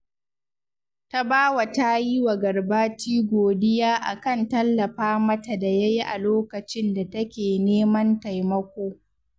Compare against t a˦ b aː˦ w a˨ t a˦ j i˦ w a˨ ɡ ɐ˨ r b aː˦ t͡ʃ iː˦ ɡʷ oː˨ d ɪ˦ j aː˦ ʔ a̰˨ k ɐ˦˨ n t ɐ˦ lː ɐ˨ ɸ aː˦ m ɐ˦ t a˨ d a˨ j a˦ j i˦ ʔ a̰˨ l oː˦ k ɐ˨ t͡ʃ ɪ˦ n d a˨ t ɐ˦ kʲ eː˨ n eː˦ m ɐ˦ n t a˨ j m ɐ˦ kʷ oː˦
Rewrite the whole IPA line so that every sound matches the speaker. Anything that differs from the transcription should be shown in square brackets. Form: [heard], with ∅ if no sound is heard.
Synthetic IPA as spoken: t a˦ b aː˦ w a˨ t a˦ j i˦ w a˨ ɡ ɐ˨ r b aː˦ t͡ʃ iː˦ ɡʷ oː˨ d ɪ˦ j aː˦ ʔ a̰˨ k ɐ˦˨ n t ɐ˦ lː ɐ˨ ɸ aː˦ m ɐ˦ t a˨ d a˨ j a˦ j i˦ ʔ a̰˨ l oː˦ k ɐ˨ t͡ʃ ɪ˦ n d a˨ t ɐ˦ kʲ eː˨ n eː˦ m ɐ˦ n t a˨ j m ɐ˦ kʷ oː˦